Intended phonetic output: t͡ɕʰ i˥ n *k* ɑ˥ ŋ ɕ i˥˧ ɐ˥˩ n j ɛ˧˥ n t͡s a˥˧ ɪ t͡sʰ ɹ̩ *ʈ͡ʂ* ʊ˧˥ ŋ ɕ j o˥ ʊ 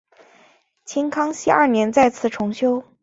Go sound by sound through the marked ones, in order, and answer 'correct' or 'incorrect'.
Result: incorrect: kʰ, incorrect: ʈ͡ʂʰ

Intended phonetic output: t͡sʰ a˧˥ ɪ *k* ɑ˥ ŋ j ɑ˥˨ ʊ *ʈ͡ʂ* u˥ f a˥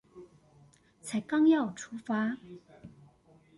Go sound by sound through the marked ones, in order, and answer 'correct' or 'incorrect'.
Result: correct, incorrect: ʈ͡ʂʰ

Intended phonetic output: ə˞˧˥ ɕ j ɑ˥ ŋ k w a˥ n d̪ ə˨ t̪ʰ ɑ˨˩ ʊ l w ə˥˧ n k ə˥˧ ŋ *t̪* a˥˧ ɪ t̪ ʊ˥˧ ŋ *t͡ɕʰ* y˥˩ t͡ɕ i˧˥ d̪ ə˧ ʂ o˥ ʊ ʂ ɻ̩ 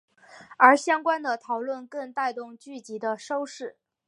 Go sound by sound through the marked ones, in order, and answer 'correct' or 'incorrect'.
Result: correct, incorrect: t͡ɕ

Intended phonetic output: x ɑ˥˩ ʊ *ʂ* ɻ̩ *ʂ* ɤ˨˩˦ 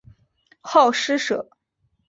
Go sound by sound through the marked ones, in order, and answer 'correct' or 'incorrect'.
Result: correct, correct

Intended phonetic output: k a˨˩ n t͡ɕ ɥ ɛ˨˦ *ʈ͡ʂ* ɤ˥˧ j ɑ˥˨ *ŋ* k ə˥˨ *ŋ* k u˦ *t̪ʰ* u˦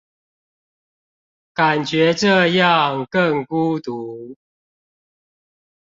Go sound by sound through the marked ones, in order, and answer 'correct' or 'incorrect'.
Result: correct, correct, correct, incorrect: t̪

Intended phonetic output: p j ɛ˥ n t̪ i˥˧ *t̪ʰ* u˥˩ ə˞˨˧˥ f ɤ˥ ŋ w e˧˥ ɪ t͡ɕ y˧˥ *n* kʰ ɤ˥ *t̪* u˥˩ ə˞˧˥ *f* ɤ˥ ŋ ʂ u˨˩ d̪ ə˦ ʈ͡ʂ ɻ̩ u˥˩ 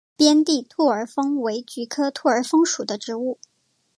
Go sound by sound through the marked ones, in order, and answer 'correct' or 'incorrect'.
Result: correct, incorrect: none, incorrect: t̪ʰ, correct

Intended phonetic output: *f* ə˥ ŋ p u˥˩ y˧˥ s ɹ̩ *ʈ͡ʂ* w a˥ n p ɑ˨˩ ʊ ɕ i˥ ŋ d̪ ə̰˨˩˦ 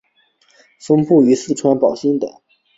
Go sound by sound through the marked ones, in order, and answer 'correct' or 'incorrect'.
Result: correct, incorrect: ʈ͡ʂʰ

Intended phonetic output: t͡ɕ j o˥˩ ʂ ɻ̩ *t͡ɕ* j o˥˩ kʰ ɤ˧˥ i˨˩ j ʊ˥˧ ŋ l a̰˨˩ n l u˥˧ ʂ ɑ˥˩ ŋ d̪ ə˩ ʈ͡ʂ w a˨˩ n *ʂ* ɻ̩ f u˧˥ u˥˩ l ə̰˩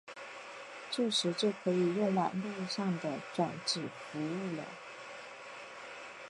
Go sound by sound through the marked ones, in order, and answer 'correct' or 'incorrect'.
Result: correct, incorrect: ʈ͡ʂ

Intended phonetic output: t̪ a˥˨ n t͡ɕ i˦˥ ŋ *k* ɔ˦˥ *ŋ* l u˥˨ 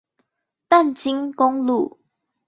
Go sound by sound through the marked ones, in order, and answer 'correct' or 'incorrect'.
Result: correct, correct

